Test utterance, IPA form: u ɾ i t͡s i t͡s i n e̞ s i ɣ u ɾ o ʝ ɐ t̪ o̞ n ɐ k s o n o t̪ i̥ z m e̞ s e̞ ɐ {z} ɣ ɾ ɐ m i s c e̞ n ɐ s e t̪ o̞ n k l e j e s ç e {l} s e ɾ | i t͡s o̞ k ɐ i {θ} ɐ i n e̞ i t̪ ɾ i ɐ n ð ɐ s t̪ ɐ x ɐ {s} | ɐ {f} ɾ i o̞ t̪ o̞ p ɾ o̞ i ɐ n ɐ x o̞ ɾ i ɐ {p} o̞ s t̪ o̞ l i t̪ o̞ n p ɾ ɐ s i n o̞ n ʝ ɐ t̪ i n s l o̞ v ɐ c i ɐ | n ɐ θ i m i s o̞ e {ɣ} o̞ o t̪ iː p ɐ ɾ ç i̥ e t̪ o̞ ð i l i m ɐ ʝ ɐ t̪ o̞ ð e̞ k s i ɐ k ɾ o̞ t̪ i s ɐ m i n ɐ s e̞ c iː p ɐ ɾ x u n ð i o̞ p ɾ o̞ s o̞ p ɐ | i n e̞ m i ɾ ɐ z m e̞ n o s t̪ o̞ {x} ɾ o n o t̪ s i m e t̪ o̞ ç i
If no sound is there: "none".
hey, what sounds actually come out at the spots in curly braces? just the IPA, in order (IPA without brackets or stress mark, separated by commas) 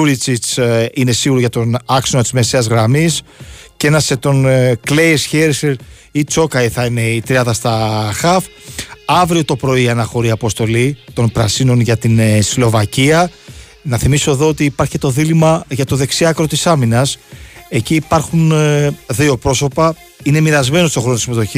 z, ɾ, θ, f, v, p, ð, x